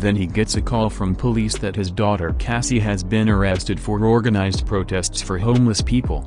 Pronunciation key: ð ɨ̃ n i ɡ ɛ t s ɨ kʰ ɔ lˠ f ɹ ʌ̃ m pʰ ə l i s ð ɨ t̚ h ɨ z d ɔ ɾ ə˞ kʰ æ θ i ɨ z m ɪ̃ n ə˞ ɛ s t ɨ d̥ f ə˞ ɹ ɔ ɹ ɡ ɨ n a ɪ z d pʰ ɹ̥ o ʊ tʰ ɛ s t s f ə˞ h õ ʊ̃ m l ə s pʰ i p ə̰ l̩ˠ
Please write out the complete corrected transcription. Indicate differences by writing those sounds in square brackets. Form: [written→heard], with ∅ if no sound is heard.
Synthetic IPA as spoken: ð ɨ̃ n i ɡ ɛ t s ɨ kʰ ɔ lˠ f ɹ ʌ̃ m pʰ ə l i s ð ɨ t̚ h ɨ z d ɔ ɾ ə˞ kʰ æ [θ→s] i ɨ z [m→b] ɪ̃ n ə˞ ɛ s t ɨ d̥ f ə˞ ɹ ɔ ɹ ɡ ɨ n a ɪ z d pʰ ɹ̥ o ʊ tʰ ɛ s t s f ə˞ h õ ʊ̃ m l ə s pʰ i p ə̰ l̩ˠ